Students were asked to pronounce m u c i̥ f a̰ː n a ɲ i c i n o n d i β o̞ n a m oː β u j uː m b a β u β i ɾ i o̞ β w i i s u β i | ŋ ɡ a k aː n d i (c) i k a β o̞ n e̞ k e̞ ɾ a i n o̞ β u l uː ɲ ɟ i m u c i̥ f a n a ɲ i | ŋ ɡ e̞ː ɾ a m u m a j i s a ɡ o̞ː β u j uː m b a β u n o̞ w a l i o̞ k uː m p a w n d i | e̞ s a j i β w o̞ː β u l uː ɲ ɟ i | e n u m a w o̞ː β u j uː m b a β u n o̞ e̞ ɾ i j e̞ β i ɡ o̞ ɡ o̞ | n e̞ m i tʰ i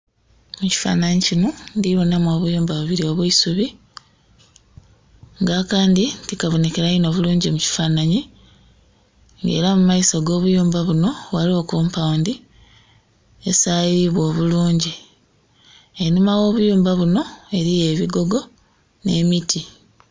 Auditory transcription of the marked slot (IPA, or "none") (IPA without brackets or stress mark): t